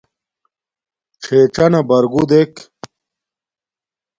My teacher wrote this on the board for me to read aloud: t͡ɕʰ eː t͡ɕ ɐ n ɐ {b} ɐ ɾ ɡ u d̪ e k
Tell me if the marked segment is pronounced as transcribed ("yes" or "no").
yes